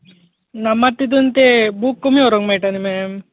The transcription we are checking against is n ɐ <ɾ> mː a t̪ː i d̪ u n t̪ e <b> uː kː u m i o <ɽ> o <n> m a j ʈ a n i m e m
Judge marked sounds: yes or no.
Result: no, yes, no, no

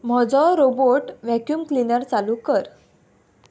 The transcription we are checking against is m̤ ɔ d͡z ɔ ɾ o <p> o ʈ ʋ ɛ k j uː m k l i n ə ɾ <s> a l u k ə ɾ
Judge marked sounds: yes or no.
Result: no, no

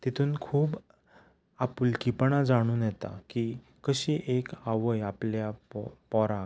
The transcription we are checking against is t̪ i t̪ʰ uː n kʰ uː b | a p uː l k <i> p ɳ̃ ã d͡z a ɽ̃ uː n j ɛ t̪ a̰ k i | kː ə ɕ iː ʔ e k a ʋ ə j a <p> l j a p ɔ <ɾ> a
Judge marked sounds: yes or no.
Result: yes, yes, yes

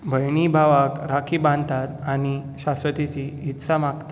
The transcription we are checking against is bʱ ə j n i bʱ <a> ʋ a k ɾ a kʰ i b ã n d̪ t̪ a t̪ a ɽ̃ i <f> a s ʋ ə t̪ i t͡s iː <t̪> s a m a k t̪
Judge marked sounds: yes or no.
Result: yes, no, yes

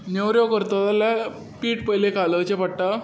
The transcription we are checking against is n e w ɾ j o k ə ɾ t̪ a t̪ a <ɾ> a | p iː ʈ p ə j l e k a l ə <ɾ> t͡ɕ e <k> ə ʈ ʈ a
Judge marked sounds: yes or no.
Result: no, no, no

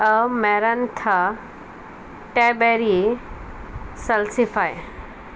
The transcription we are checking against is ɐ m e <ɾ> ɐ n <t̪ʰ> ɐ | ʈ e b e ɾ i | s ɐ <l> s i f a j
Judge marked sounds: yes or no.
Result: yes, yes, yes

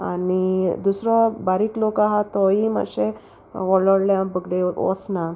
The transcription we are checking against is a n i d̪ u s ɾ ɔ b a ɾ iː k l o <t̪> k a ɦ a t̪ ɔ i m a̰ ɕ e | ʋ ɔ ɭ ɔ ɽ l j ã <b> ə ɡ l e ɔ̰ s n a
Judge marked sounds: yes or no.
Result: no, yes

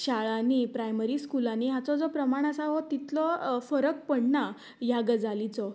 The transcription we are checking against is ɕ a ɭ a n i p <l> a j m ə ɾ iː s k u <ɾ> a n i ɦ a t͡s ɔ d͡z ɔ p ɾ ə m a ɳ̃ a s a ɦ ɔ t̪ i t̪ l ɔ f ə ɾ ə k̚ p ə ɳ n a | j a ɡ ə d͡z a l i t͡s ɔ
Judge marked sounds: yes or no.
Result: no, no

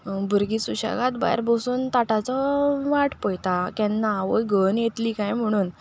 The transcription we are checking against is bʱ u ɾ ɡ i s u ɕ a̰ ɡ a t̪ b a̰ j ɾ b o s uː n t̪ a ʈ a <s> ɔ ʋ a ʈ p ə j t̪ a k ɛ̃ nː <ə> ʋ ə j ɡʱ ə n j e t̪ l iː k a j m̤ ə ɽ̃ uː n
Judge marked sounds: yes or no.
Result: no, no

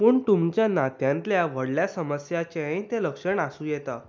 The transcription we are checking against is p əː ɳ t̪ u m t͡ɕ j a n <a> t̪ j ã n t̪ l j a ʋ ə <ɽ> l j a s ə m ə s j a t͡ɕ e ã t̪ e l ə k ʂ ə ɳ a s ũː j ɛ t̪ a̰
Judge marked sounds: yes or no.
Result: yes, yes

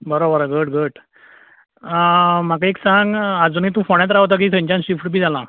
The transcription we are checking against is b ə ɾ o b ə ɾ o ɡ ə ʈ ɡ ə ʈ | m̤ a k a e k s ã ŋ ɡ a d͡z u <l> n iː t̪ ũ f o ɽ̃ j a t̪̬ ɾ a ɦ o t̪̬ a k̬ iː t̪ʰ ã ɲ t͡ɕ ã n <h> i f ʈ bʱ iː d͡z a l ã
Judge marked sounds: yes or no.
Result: no, no

